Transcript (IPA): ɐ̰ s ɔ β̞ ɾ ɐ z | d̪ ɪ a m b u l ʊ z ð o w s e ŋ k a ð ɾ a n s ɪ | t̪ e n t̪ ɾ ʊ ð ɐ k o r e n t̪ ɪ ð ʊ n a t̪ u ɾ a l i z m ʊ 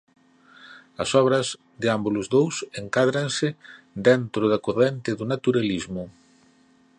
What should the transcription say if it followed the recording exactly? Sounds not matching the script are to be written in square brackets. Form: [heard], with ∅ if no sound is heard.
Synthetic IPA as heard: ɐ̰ s ɔ β̞ ɾ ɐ z | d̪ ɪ a m b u l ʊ z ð o w s e ŋ k a ð ɾ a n s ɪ | [d̪] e n t̪ ɾ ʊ ð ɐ k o r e n t̪ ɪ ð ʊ n a t̪ u ɾ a l i z m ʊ